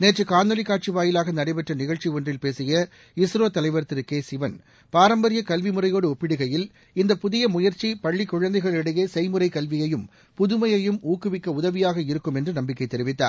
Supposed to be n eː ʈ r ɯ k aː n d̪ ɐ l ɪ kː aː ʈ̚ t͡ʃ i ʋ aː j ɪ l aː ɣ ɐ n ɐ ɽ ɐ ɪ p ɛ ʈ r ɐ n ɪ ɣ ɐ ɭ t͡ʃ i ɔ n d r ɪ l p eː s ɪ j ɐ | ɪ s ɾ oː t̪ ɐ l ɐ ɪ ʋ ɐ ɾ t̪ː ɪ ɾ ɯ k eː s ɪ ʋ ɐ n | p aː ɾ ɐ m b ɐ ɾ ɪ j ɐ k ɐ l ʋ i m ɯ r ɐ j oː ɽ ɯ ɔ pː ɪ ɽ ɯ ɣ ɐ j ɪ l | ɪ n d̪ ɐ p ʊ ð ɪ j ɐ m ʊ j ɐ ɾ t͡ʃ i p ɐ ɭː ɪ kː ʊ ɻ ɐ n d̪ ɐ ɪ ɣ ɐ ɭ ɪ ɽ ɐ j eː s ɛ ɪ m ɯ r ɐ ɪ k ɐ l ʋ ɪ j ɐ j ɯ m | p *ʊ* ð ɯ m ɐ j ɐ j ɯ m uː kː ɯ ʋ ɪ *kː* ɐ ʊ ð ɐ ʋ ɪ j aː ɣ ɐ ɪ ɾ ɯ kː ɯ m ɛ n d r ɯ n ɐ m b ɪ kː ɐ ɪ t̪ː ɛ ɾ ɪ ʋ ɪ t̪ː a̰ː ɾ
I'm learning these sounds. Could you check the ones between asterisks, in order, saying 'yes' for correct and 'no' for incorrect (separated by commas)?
yes, yes